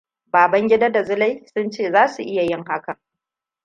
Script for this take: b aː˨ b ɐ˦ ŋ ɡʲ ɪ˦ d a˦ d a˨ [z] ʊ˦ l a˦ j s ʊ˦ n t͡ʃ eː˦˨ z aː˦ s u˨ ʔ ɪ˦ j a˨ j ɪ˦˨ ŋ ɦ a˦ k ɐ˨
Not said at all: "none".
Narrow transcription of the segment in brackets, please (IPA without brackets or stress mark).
z